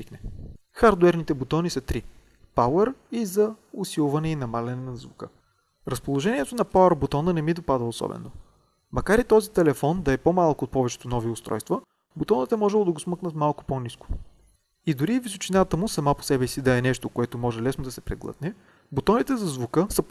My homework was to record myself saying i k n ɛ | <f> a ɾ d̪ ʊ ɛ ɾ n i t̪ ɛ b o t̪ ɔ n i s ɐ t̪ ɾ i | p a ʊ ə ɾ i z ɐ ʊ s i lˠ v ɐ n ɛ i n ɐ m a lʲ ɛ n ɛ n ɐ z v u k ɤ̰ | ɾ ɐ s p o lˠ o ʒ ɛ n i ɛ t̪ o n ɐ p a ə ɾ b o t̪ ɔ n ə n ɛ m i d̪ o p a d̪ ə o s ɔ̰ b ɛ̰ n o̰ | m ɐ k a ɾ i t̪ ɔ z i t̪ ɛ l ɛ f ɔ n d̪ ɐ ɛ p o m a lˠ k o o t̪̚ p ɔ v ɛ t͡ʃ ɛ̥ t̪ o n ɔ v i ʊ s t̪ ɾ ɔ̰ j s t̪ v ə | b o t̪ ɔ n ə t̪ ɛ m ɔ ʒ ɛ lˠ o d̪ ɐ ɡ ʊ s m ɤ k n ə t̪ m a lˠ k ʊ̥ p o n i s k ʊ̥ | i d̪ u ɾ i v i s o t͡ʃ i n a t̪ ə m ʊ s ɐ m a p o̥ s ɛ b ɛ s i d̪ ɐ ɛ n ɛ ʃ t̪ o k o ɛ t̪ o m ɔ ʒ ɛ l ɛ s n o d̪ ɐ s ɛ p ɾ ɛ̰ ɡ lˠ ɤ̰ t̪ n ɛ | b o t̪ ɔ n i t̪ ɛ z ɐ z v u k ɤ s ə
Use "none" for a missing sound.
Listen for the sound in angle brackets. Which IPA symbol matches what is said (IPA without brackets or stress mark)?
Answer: x